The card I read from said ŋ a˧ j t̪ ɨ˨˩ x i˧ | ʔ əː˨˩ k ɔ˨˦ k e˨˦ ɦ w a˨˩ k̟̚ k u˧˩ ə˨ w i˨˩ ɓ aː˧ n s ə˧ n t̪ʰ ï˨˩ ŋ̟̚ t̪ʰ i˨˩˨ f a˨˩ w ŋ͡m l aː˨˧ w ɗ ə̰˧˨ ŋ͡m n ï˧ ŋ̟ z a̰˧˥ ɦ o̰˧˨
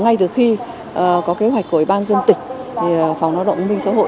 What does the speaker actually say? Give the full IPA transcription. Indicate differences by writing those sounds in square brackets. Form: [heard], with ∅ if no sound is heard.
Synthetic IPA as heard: ŋ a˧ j t̪ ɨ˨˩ x i˧ | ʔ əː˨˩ k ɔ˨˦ k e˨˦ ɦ w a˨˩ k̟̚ k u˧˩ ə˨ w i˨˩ ɓ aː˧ n [z] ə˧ n [t̪] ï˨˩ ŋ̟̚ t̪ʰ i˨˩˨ f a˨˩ w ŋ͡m l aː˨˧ w ɗ ə̰˧˨ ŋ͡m [m] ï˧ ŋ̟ [s] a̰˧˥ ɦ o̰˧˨